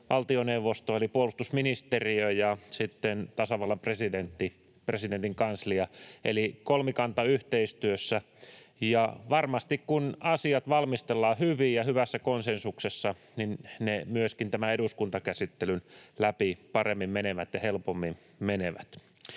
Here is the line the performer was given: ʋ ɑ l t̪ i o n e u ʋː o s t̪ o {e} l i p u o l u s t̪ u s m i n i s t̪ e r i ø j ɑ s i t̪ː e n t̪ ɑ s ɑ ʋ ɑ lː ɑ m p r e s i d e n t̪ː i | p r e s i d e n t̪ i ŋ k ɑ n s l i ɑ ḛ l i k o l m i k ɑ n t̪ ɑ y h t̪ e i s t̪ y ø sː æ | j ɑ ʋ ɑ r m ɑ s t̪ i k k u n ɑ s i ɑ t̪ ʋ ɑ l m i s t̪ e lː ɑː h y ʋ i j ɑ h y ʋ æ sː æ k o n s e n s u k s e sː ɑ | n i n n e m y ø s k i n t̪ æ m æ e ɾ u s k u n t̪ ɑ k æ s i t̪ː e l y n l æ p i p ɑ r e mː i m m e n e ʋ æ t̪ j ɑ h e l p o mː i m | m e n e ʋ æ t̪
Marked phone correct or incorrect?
correct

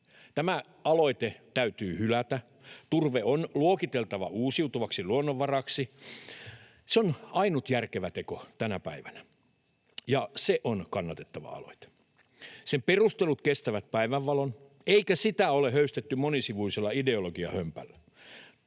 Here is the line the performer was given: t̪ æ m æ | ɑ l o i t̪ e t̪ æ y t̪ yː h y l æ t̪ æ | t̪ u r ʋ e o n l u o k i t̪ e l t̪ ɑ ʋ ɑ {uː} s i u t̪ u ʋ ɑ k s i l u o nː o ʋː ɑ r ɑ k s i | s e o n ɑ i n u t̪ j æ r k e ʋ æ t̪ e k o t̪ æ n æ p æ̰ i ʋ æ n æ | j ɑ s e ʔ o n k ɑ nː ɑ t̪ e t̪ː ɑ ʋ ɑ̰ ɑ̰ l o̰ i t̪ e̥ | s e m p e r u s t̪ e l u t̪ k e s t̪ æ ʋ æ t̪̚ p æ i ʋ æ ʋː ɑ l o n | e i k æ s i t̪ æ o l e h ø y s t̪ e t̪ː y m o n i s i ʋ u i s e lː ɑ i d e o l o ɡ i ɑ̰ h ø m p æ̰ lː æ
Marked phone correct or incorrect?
correct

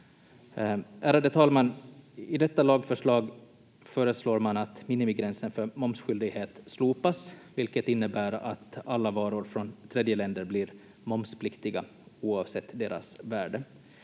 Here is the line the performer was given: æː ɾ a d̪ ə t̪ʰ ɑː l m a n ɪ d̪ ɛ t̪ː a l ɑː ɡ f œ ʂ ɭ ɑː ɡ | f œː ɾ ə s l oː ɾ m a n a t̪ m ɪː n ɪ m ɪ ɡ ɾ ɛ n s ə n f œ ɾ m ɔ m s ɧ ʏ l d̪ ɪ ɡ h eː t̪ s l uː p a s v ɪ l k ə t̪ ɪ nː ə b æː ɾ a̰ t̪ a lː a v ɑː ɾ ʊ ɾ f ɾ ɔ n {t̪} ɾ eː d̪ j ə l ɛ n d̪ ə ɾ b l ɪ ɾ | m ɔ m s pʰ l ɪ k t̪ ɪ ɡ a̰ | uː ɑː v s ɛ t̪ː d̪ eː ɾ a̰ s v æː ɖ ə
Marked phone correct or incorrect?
incorrect: t̪ʰ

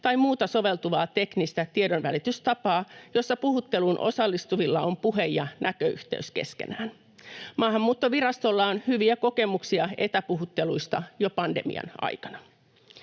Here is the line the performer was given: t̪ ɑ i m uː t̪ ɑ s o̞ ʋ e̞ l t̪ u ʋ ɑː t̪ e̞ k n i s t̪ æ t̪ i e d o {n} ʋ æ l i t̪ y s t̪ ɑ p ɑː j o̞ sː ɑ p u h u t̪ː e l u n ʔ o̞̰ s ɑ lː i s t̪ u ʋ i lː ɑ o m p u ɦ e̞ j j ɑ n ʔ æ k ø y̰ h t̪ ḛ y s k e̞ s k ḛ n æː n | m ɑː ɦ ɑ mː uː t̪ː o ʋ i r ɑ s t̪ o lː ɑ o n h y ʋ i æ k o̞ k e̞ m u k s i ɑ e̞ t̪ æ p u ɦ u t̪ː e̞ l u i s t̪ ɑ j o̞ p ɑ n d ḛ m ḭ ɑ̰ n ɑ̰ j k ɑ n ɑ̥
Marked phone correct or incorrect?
correct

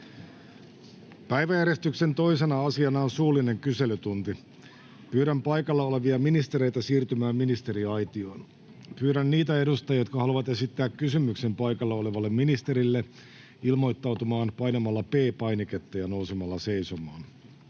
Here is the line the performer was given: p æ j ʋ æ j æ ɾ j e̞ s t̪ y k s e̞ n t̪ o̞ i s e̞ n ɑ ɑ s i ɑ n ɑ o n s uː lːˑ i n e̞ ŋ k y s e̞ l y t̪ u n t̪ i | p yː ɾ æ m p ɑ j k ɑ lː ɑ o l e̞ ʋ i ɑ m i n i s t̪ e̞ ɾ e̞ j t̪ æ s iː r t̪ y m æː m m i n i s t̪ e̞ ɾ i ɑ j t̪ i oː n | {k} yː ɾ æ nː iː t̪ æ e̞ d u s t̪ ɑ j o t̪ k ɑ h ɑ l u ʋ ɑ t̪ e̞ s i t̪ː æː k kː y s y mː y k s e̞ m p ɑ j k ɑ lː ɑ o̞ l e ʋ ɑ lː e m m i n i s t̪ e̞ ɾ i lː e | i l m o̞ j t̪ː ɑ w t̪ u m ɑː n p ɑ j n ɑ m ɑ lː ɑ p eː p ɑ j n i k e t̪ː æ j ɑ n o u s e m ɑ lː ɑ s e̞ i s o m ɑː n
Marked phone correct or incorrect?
incorrect: p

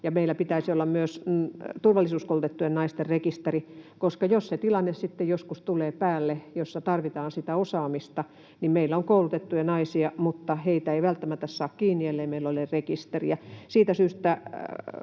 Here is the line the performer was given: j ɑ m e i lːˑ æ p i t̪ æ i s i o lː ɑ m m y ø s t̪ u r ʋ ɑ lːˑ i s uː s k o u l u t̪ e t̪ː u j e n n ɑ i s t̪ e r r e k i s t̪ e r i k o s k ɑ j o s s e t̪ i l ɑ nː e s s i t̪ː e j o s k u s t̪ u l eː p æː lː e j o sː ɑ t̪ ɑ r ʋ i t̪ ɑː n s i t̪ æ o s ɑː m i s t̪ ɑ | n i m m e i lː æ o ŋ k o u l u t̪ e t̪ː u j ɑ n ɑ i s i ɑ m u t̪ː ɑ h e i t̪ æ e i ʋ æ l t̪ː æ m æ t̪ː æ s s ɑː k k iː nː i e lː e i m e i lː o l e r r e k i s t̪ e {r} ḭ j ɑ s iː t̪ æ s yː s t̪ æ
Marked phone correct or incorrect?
correct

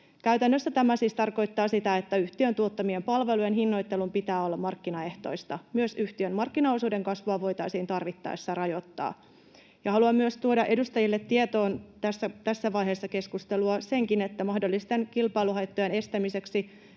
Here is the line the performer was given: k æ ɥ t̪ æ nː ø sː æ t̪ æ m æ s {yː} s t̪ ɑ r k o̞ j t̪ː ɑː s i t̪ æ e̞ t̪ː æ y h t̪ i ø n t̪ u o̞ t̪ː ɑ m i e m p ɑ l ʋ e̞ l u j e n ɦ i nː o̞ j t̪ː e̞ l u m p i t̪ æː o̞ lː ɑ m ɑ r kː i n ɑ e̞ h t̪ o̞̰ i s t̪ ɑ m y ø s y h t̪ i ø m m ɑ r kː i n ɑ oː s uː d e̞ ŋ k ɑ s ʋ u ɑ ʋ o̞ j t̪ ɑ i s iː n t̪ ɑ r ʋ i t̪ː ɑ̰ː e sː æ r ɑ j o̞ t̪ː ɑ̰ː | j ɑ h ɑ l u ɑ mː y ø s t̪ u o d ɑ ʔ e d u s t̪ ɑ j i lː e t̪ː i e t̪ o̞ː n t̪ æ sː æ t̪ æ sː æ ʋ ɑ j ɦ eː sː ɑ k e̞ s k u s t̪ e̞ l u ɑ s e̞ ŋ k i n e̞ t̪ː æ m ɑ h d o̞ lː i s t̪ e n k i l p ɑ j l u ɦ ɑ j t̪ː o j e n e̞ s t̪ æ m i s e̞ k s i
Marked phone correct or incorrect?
incorrect: iː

